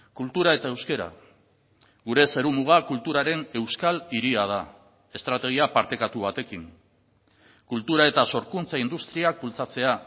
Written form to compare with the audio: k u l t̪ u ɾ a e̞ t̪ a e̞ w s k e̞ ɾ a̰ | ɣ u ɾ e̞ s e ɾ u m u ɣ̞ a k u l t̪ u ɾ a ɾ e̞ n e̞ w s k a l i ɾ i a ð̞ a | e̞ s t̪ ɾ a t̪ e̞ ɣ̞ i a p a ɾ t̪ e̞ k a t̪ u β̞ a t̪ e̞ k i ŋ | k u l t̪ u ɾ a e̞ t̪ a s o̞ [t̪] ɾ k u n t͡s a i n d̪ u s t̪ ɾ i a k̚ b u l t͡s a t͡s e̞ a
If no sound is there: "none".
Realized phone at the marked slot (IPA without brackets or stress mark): none